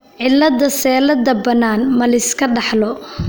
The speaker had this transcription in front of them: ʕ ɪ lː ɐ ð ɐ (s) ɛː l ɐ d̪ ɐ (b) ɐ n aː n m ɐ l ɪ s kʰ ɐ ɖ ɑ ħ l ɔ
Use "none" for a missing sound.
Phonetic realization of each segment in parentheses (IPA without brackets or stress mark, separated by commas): s, b